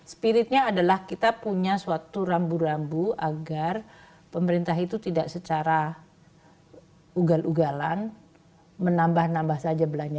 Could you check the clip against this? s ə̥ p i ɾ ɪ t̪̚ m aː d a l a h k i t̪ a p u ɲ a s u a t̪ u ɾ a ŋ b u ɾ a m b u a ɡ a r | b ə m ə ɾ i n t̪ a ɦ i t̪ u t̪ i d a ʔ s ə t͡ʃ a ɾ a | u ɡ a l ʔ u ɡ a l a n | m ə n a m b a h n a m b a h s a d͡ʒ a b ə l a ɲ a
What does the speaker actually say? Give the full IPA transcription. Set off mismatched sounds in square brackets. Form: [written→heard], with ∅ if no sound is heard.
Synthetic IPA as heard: s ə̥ p i ɾ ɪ t̪̚ [m→ɲ] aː d a l a h k i t̪ a p u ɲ a s u a t̪ u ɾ a [ŋ→m] b u ɾ a m b u a ɡ a r | [b→p] ə m ə ɾ i n t̪ a ɦ i t̪ u t̪ i d a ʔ s ə t͡ʃ a ɾ a | u ɡ a l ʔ u ɡ a l a n | m ə n a m b a h n a m b a h s a d͡ʒ a b ə l a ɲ a